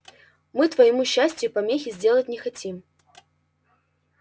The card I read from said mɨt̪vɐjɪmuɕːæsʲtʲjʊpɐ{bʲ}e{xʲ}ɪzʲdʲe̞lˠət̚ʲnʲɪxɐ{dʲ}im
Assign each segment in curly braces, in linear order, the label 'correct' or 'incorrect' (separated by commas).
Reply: incorrect, correct, incorrect